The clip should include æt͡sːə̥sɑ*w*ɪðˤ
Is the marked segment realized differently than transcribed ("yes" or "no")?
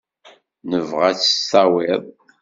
no